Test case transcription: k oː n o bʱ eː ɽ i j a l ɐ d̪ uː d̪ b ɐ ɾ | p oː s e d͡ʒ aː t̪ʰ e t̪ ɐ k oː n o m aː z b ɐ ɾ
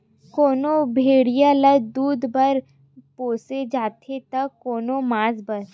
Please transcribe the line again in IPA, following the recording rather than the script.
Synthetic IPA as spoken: k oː n o bʱ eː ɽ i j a l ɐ d̪ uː d̪ b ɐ ɾ | p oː s e d͡ʒ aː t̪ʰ e t̪ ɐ k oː n o m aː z b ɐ ɾ